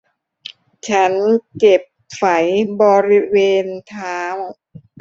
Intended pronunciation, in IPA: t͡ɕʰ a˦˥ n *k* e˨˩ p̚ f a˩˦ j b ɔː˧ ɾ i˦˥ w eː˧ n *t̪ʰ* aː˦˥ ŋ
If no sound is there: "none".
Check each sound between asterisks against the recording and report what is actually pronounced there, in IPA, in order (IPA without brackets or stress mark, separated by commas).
k, t̪ʰ